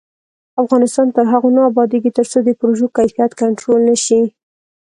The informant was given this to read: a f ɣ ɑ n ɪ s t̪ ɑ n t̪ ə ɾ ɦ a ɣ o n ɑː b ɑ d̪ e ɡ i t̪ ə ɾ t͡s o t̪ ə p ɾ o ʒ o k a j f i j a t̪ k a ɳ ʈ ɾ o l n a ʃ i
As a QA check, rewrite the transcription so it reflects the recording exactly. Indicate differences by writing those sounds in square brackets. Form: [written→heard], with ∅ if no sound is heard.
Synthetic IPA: a f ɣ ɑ n ɪ s t̪ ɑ n t̪ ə ɾ ɦ a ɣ o n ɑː b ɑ d̪ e ɡ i t̪ ə ɾ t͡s o [t̪→d̪] ə p ɾ o ʒ o k a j f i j a t̪ k a ɳ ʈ ɾ o l n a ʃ i